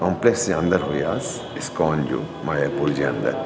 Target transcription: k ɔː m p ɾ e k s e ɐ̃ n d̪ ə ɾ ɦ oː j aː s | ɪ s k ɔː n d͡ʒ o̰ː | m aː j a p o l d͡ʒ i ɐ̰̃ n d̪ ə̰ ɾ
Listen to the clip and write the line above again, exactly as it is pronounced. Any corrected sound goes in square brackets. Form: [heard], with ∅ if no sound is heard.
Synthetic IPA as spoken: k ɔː m p [l] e k s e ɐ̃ n d̪ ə ɾ ɦ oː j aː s | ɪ s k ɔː n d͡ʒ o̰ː | m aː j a p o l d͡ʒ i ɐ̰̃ n d̪ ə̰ ɾ